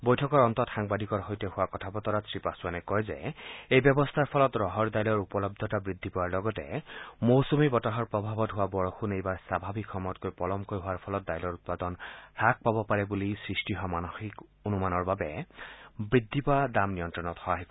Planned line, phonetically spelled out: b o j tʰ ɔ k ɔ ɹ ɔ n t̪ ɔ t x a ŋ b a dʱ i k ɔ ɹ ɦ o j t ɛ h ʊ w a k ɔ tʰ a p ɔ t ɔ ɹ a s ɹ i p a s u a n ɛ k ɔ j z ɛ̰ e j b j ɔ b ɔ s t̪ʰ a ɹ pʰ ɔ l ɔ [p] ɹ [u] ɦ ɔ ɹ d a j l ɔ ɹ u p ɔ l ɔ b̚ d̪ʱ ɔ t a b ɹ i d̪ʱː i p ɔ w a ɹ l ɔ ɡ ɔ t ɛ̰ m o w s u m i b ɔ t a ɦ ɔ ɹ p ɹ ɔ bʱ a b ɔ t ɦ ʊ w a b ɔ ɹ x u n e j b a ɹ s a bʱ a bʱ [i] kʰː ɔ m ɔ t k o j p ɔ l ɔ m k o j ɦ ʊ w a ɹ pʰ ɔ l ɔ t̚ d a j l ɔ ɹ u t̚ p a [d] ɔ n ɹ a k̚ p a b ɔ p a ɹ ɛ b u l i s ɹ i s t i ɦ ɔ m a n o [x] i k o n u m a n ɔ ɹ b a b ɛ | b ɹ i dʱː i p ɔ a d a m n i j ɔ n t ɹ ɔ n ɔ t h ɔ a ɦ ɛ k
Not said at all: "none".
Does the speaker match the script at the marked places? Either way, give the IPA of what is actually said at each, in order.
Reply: t, ɔ, i, d, x

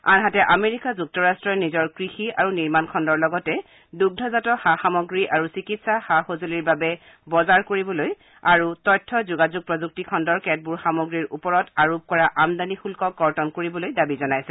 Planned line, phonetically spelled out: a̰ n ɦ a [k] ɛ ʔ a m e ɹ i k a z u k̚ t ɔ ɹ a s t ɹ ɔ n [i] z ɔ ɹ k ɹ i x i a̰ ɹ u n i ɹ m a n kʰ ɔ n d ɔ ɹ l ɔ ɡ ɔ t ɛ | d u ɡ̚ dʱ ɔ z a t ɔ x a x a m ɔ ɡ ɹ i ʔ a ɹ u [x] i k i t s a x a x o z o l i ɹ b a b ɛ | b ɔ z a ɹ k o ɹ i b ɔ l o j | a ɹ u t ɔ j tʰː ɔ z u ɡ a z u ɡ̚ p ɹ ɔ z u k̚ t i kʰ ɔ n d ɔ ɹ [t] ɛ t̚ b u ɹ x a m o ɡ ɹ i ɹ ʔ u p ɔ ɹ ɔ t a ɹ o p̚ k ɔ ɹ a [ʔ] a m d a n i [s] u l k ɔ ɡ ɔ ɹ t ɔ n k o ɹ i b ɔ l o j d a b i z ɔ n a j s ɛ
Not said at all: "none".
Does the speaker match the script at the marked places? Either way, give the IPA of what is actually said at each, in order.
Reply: t, i, s, k, ʔ, x

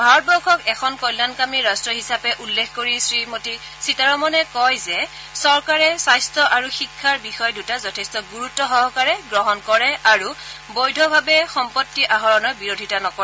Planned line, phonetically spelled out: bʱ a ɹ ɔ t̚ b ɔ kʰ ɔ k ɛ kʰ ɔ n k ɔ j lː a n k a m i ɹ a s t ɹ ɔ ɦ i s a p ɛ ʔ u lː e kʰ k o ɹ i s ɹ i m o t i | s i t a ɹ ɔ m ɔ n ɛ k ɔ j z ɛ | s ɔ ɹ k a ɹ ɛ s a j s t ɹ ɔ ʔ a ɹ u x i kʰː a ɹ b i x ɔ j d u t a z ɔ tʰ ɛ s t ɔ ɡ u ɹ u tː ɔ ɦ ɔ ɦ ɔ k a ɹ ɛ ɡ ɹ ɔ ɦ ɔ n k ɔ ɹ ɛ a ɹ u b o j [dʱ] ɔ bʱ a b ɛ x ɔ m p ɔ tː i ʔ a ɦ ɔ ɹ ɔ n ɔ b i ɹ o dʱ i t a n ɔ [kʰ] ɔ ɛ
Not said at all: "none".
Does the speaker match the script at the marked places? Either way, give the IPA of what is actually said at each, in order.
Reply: dʱ, k

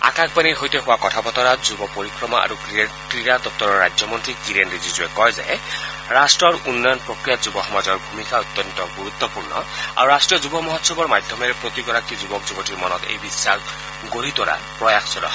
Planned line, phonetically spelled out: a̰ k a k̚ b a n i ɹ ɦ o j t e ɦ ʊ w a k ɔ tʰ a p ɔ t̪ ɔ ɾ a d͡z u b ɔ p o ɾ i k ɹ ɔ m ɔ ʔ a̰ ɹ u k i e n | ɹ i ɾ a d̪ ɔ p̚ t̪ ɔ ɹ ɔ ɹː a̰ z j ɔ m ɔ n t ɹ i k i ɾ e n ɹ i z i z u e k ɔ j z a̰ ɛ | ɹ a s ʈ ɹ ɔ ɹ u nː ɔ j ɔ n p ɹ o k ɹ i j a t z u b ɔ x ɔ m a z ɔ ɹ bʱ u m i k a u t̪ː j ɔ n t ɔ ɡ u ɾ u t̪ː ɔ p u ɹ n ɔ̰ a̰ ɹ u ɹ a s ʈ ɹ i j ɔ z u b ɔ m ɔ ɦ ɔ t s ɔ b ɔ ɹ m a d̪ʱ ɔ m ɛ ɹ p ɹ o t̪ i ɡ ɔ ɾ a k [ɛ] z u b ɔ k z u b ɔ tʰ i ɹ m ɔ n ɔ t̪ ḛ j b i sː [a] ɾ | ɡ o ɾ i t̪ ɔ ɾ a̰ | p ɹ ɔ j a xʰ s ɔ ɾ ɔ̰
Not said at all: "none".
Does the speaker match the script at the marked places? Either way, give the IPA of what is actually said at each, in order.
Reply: i, a

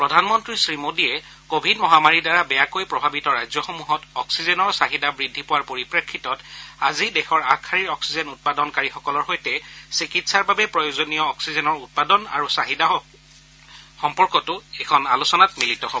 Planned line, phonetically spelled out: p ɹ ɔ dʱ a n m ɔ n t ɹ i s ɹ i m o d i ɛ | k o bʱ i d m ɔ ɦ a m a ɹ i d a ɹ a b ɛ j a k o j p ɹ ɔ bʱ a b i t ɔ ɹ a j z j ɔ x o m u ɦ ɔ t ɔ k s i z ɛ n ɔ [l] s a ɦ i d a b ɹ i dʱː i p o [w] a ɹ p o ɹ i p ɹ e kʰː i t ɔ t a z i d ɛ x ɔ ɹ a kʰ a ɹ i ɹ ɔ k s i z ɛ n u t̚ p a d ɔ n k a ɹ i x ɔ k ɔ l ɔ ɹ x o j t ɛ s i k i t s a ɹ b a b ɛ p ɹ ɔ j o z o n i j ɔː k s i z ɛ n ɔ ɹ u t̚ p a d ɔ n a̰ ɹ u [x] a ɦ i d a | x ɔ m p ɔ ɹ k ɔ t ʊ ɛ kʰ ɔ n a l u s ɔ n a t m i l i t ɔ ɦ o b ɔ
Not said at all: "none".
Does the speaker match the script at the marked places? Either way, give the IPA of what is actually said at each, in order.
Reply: ɹ, w, s

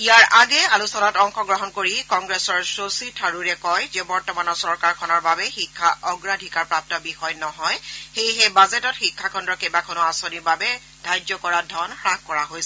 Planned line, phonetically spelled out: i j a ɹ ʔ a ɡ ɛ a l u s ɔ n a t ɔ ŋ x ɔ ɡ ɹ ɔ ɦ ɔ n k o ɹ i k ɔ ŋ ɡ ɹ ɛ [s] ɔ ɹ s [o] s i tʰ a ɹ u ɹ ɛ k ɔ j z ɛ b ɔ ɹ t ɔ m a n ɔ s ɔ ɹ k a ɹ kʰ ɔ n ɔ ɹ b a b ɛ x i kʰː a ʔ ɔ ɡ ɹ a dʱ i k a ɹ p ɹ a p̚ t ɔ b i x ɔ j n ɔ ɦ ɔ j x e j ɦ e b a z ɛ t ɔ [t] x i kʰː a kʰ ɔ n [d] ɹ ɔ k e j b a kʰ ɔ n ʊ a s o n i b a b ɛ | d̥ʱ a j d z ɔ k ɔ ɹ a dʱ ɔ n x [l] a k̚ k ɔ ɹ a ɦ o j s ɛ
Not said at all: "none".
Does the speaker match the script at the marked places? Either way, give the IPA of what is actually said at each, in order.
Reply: s, o, t, d, ɹ

